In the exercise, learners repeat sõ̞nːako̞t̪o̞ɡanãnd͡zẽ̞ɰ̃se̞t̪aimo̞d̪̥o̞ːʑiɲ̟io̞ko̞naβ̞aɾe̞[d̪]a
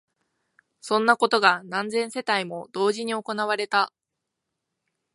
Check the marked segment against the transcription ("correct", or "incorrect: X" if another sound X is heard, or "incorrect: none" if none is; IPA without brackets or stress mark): incorrect: t̪